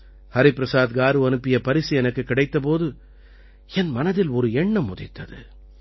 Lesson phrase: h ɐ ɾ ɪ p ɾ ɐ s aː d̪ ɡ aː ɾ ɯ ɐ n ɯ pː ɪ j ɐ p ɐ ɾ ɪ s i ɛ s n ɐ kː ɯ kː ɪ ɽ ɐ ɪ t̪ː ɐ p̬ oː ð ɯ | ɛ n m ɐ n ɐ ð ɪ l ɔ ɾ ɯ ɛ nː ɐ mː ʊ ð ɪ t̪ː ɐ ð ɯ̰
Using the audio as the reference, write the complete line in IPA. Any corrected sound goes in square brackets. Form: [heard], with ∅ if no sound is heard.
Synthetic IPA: h ɐ ɾ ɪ p ɾ ɐ s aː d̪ ɡ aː ɾ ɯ ɐ n ɯ pː ɪ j ɐ p ɐ ɾ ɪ s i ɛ [∅] n ɐ kː ɯ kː ɪ ɽ ɐ ɪ t̪ː ɐ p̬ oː ð ɯ | ɛ n m ɐ n ɐ ð ɪ l ɔ ɾ ɯ ɛ [ɳː] ɐ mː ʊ ð ɪ t̪ː ɐ ð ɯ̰

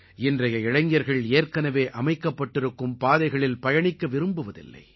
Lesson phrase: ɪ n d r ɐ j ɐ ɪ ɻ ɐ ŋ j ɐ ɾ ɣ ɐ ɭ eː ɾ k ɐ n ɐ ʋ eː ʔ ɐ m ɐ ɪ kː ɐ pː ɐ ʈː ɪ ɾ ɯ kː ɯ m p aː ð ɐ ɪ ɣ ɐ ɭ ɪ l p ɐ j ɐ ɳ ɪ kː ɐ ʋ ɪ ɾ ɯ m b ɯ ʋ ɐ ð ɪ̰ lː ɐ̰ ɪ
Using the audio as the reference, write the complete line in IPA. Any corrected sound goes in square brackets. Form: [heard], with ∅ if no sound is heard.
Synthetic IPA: ɪ n d r ɐ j ɐ ɪ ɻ ɐ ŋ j ɐ ɾ ɣ ɐ ɭ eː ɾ k ɐ n ɐ ʋ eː ʔ ɐ m ɐ ɪ kː ɐ pː ɐ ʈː ɪ ɾ ɯ kː ɯ m p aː ð ɐ ɪ ɣ ɐ ɭ ɪ l p ɐ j ɐ ɳ ɪ kː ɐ ʋ ɪ ɾ ɯ m b ɯ ʋ ɐ ð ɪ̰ lː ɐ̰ ɪ

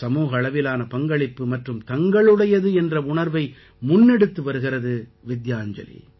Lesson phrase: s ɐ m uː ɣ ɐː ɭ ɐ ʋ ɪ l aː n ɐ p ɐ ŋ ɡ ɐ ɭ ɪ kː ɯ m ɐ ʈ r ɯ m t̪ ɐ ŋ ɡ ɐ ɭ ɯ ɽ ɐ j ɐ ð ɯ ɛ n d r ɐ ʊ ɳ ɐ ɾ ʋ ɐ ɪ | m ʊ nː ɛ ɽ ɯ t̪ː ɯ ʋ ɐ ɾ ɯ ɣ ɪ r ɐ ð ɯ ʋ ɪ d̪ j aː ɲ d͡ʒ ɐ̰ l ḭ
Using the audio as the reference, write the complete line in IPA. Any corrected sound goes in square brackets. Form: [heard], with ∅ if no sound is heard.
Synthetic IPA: s ɐ m uː ɣ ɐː ɭ ɐ ʋ ɪ l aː n ɐ p ɐ ŋ ɡ ɐ ɭ ɪ [pː] ɯ m ɐ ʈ r ɯ m t̪ ɐ ŋ ɡ ɐ ɭ ɯ ɽ ɐ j ɐ ð ɯ ɛ n d r ɐ ʊ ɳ ɐ ɾ ʋ ɐ ɪ | m ʊ nː ɛ ɽ ɯ t̪ː ɯ ʋ ɐ ɾ ɯ ɣ ɪ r ɐ ð ɯ ʋ ɪ d̪ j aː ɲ d͡ʒ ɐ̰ l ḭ

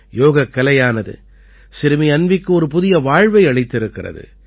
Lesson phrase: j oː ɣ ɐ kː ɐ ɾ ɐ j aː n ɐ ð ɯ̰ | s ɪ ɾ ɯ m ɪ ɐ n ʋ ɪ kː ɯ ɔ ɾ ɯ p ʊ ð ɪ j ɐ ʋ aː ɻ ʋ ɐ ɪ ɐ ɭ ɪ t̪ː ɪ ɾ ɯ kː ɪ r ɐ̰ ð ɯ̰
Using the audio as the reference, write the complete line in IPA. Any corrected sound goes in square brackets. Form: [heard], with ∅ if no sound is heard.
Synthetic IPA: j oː ɣ ɐ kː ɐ [l] ɐ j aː n ɐ ð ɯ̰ | s ɪ ɾ ɯ m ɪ ɐ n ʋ ɪ kː ɯ ɔ ɾ ɯ p ʊ ð ɪ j ɐ ʋ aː ɻ ʋ ɐ ɪ ɐ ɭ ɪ t̪ː ɪ ɾ ɯ kː ɪ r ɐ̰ ð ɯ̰

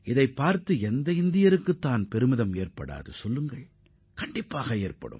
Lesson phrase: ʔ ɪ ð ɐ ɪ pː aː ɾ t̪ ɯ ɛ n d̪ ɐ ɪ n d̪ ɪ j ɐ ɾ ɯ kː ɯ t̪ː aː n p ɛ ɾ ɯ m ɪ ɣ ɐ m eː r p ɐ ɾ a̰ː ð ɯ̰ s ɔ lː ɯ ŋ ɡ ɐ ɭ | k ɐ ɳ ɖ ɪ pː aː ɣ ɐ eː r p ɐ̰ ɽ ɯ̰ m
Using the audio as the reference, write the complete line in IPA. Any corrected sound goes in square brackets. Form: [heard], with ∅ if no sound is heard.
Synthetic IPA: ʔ ɪ ð ɐ ɪ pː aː ɾ t̪ ɯ ɛ n d̪ ɐ ɪ n d̪ ɪ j ɐ ɾ ɯ kː ɯ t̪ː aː n p ɛ ɾ ɯ m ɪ [ð] ɐ m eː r p ɐ [ɽ] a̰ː ð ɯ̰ s ɔ lː ɯ ŋ ɡ ɐ ɭ | k ɐ ɳ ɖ ɪ pː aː ɣ ɐ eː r p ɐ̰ ɽ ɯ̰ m

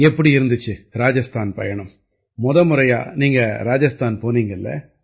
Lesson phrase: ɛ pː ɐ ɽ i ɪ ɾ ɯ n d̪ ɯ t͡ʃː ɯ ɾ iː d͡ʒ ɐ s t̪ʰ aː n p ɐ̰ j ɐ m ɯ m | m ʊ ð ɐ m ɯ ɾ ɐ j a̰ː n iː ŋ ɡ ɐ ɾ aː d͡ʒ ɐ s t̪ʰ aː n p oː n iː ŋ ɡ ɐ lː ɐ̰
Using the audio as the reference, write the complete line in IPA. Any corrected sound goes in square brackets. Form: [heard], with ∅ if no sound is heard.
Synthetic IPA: ɛ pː ɐ ɽ i ɪ ɾ ɯ n d̪ ɯ t͡ʃː ɯ ɾ [aː] d͡ʒ ɐ s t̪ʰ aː n p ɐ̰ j ɐ [ɳ] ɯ m | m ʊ ð ɐ m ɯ ɾ ɐ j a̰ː n iː ŋ ɡ ɐ ɾ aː d͡ʒ ɐ s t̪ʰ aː n p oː n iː ŋ ɡ ɐ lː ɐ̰

